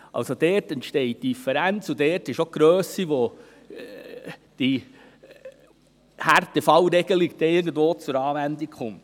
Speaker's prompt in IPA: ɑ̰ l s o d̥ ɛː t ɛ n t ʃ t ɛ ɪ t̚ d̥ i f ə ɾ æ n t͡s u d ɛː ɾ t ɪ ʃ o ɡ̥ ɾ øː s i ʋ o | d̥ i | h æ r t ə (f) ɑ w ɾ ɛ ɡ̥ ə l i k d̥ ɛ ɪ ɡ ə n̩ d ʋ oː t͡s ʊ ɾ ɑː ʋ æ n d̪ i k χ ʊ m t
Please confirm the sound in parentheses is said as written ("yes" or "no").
yes